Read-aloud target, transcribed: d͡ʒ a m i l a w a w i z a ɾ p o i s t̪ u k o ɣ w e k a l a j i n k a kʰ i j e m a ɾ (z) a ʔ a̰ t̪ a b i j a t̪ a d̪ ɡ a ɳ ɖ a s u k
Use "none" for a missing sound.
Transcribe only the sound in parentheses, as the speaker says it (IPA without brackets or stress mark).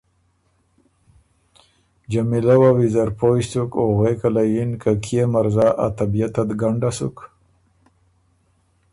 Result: z